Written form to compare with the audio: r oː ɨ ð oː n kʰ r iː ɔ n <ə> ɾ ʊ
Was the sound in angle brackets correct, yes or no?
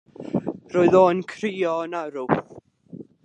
no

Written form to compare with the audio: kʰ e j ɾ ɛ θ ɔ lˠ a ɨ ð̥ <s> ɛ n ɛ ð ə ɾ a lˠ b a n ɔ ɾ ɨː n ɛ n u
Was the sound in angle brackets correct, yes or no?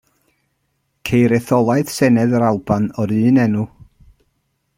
yes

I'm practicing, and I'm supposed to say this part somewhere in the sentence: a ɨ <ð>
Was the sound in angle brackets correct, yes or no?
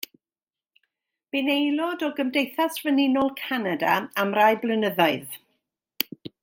yes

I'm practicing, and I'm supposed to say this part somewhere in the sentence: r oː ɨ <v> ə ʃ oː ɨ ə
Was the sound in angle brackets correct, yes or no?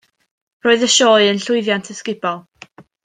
no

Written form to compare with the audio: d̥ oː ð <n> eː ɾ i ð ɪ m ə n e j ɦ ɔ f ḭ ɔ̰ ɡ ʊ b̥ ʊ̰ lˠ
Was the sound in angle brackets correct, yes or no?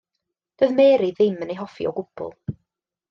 no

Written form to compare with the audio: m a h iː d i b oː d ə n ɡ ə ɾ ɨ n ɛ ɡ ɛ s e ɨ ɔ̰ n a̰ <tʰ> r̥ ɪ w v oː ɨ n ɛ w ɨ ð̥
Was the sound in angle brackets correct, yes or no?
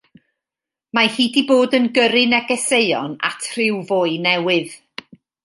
yes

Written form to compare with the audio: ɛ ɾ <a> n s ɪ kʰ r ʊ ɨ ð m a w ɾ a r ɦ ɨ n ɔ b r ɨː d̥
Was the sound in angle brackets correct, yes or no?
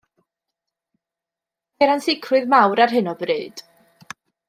yes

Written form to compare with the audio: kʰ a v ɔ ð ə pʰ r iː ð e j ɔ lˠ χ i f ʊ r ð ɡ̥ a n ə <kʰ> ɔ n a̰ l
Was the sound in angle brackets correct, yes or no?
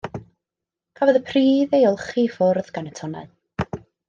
no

